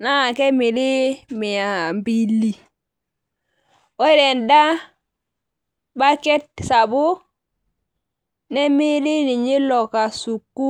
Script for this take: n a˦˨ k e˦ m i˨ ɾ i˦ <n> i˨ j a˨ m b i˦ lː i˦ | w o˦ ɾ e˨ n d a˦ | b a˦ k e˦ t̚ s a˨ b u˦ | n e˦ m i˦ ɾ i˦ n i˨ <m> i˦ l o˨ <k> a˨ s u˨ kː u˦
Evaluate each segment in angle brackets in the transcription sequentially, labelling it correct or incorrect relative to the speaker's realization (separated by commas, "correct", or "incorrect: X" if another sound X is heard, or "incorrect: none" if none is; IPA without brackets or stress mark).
incorrect: m, incorrect: ɲ, correct